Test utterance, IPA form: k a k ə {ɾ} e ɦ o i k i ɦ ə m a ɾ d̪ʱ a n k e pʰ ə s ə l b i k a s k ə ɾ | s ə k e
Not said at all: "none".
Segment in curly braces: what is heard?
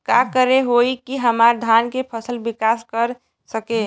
ɾ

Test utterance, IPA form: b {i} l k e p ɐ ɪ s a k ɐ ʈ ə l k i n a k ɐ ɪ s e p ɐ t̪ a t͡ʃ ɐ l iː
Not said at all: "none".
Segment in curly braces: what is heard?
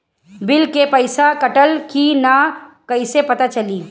ɪ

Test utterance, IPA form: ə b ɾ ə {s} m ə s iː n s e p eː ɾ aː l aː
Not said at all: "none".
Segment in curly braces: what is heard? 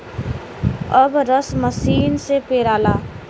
s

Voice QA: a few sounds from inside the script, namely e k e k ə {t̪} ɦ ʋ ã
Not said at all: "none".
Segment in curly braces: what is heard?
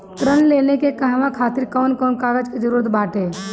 none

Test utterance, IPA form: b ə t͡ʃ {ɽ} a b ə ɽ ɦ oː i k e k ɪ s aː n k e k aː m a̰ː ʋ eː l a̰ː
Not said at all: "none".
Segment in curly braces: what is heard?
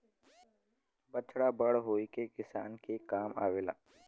ɽ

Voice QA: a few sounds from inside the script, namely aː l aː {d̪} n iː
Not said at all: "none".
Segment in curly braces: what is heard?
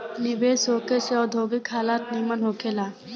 t̪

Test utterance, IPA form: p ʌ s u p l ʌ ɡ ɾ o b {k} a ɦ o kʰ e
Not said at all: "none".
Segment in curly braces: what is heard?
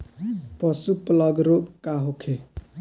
k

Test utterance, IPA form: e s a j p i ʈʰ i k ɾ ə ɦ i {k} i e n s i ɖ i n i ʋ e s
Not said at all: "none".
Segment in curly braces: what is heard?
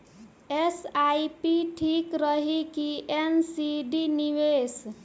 k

